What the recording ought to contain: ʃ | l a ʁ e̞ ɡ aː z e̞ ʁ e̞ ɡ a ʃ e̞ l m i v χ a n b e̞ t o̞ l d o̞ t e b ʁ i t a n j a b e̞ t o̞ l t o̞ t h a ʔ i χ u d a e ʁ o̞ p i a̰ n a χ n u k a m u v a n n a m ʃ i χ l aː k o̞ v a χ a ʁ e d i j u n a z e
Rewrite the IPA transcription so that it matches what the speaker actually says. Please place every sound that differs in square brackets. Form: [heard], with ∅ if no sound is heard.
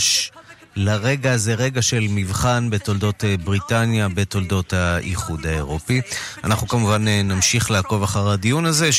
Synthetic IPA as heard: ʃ | l a ʁ e̞ ɡ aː z e̞ ʁ e̞ ɡ a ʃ e̞ l m i v χ a n b e̞ t o̞ l d o̞ t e b ʁ i t a n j a b e̞ t o̞ l [d] o̞ t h a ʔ i χ u d a e ʁ o̞ p i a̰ n a χ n u k a m u v a n n a m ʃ i χ l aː k o̞ v a χ a ʁ [a] d i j u n a z e